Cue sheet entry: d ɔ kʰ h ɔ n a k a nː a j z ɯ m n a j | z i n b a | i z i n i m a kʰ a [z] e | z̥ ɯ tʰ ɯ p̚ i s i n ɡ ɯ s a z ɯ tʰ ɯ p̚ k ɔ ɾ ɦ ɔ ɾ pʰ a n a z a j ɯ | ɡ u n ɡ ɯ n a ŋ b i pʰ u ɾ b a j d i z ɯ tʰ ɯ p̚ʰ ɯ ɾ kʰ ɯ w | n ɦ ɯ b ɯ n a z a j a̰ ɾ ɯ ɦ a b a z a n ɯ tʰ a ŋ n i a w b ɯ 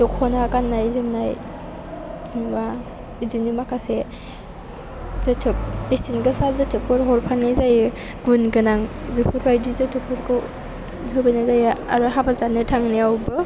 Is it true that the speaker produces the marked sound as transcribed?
no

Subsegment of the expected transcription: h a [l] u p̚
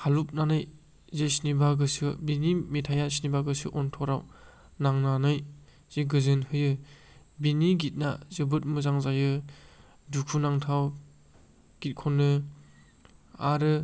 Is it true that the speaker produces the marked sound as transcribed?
yes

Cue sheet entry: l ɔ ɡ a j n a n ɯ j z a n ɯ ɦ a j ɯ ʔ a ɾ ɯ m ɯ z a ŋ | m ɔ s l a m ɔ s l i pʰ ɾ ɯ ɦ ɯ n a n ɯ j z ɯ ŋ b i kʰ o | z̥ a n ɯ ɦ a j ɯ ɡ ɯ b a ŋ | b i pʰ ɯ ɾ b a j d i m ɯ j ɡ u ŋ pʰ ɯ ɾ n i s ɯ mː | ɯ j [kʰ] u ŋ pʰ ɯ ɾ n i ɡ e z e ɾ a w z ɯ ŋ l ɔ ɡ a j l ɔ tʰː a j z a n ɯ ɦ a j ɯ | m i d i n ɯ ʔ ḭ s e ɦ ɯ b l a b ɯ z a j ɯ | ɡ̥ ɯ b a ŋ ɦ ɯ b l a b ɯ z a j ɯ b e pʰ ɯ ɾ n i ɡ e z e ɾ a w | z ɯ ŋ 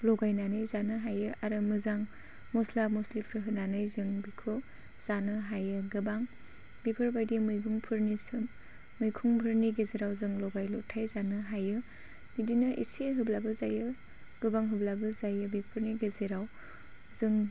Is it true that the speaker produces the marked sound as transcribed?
yes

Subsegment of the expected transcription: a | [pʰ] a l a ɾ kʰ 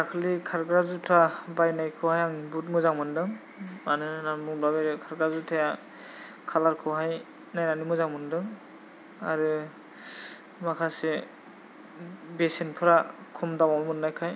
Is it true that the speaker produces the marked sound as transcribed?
no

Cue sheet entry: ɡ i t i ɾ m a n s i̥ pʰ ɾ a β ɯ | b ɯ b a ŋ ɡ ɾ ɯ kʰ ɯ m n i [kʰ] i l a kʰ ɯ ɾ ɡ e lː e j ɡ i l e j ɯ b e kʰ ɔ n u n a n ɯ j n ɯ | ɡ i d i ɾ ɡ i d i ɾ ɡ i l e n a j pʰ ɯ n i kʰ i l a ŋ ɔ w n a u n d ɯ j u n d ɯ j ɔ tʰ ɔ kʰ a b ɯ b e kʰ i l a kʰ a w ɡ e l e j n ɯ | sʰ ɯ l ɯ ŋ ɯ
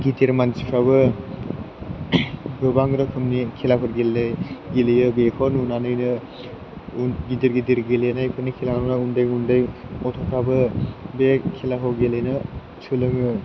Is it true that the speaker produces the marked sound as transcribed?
yes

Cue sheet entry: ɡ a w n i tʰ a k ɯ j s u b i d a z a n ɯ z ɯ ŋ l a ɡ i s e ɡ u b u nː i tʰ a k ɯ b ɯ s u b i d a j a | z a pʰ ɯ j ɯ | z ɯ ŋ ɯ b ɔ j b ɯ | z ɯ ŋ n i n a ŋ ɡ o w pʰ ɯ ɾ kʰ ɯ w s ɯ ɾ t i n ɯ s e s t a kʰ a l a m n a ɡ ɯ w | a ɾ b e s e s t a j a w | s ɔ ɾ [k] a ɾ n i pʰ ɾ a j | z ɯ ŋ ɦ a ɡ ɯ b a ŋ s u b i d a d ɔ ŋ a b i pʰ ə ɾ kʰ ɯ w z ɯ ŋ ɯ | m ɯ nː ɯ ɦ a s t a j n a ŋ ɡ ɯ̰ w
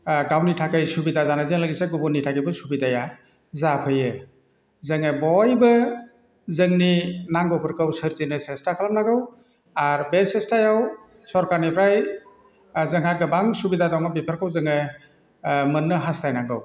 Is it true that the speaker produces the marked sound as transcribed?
yes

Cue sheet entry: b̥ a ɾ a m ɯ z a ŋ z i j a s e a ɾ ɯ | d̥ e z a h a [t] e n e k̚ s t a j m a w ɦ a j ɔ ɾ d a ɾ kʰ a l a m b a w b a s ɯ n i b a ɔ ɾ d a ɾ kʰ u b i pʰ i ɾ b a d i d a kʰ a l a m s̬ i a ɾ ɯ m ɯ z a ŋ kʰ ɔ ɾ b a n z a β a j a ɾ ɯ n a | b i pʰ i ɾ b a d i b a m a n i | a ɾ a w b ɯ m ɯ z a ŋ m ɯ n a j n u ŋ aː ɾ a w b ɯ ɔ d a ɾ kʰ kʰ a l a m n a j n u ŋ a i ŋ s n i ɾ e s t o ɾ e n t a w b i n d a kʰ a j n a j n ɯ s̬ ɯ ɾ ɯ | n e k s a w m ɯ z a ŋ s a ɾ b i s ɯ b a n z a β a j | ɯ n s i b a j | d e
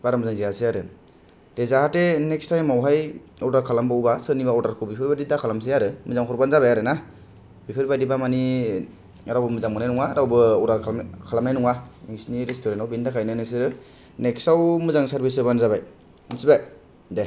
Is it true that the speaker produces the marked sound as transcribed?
yes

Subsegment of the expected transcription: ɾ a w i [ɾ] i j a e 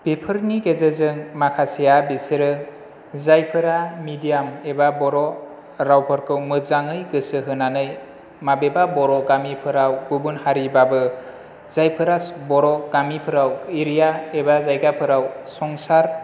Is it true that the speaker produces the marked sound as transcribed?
yes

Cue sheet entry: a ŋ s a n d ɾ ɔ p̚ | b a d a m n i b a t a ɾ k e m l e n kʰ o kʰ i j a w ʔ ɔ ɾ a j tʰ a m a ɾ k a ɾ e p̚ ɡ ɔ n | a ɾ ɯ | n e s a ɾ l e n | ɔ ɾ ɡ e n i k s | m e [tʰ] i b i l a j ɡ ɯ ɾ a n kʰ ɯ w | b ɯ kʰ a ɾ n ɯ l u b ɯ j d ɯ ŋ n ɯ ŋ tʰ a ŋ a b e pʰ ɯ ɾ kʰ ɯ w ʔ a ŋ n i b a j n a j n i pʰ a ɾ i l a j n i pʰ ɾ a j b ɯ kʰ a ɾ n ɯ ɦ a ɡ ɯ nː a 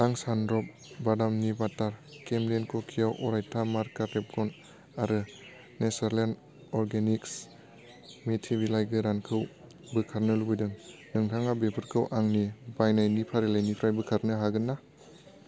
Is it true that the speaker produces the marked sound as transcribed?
yes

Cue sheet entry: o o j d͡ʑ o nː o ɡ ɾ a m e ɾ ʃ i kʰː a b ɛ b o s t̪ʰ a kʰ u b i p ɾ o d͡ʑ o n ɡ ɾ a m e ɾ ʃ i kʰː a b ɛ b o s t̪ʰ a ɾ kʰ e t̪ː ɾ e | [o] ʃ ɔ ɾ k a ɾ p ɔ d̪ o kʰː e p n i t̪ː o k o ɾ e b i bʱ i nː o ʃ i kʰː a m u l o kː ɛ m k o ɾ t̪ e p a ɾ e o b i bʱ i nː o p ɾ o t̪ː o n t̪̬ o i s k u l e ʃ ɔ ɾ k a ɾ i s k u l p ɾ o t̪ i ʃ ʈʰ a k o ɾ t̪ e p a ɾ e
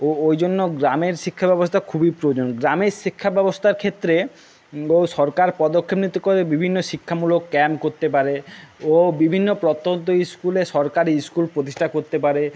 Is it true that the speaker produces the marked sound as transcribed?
yes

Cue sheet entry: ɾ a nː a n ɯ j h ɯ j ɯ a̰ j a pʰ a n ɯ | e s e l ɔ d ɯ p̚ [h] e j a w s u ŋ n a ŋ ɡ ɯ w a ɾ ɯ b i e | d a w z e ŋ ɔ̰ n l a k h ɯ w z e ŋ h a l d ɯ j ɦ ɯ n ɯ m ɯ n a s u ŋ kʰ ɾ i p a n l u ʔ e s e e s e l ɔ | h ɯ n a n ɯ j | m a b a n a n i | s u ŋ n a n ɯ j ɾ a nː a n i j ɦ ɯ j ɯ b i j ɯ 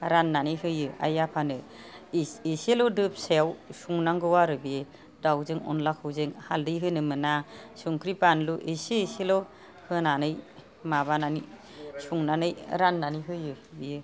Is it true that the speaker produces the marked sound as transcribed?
no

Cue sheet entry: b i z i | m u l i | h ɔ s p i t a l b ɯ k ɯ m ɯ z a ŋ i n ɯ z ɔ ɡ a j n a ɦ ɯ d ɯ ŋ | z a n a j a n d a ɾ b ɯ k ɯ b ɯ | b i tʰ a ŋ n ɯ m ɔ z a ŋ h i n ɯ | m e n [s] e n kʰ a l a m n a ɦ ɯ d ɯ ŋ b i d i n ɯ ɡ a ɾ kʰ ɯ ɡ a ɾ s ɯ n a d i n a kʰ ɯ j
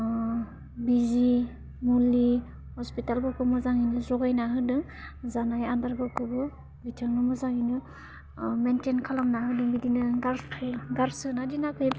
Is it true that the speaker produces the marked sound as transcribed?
no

